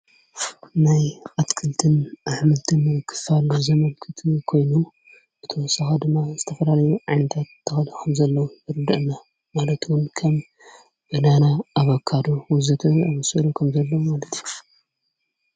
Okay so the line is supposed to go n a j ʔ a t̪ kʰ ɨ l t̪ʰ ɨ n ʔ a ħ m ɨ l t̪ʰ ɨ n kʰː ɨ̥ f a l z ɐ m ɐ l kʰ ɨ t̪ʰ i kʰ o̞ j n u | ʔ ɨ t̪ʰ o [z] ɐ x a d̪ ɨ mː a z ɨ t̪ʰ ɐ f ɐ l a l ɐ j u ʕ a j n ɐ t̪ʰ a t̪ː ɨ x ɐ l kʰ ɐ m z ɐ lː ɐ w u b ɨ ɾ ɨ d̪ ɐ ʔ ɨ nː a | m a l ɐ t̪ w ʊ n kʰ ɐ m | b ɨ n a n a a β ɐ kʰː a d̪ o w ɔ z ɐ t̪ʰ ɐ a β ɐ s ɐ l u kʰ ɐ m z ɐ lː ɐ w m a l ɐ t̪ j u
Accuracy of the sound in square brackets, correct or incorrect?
incorrect